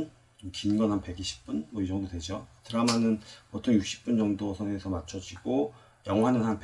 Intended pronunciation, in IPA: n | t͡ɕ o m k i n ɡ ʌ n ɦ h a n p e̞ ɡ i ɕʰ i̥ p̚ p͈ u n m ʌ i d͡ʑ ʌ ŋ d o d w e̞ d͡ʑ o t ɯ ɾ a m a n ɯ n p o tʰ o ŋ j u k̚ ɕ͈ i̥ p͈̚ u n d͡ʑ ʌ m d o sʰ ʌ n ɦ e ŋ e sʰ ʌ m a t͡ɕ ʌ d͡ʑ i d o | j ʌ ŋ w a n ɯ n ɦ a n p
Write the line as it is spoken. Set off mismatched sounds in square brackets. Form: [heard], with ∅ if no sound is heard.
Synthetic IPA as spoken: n | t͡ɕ o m k i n ɡ ʌ n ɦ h a n p e̞ ɡ i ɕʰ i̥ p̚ p͈ u n m ʌ i d͡ʑ ʌ ŋ d o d w e̞ d͡ʑ o t ɯ ɾ a m a n ɯ n p o tʰ o ŋ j u k̚ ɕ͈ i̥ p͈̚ u n d͡ʑ ʌ [ŋ] d o sʰ ʌ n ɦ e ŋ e sʰ ʌ m a [t͡ɕʰ] ʌ d͡ʑ i [ɡ] o | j ʌ ŋ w a n ɯ n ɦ a n p